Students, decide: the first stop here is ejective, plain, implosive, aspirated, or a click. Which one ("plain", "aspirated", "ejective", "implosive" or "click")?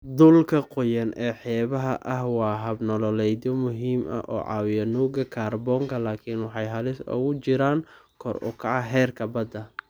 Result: plain